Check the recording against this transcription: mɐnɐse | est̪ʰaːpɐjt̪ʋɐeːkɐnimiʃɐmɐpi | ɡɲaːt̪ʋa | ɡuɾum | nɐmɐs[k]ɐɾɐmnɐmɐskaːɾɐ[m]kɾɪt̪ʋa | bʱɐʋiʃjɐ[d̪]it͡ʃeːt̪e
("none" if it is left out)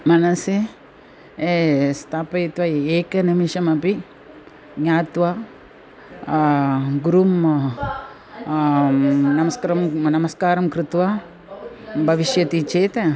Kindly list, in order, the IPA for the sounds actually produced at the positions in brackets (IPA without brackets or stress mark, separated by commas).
k, m, t̪